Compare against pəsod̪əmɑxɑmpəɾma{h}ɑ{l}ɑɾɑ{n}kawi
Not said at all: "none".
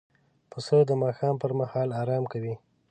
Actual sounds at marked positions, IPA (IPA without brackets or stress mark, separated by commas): h, l, m